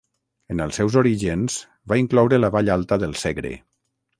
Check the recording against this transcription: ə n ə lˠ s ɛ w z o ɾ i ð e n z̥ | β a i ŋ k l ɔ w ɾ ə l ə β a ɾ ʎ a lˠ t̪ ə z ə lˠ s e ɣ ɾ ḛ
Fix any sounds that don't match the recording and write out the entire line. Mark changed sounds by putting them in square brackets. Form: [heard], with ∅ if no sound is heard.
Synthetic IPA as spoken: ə n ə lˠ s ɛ w z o ɾ i [ʒ] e n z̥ | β a i ŋ k l ɔ w ɾ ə l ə β a [∅] ʎ a lˠ t̪ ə [ð] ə lˠ s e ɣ ɾ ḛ